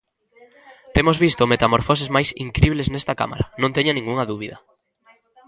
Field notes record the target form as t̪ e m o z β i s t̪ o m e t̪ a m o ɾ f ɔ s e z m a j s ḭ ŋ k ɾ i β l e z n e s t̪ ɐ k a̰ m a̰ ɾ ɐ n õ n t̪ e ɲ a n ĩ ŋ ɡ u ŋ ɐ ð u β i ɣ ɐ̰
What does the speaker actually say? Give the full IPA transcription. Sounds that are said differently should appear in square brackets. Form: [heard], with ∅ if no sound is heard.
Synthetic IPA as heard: t̪ e m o z β i s t̪ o m e t̪ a m o ɾ f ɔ s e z m a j s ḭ ŋ k ɾ i β l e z n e s t̪ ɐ k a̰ m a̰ ɾ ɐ n õ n t̪ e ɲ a n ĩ ŋ ɡ u ŋ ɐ ð u β i [ð] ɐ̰